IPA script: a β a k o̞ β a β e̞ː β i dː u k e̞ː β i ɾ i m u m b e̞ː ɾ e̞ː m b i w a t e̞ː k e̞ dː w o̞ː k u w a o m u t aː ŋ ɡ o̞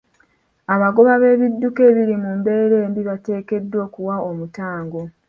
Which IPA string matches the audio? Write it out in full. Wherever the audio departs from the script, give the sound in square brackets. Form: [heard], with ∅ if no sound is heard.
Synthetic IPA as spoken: a β a [ɡ] o̞ β a β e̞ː β i dː u k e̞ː β i ɾ i m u m b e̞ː ɾ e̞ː m b i [β] a t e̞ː k e̞ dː w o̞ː k u w a o m u t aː ŋ ɡ o̞